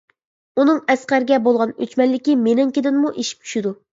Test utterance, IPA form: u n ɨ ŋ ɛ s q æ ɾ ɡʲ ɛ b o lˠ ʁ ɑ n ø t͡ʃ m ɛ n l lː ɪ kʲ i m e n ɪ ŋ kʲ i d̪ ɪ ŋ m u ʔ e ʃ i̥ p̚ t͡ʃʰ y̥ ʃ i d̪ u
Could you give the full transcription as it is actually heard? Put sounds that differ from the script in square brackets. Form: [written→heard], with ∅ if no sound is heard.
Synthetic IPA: u n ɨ ŋ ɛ s q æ ɾ ɡʲ ɛ b o lˠ ʁ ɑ n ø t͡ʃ m ɛ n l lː ɪ kʲ i m e n ɪ ŋ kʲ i d̪ ɪ [ŋ→n] m u ʔ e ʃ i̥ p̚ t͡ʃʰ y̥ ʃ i d̪ u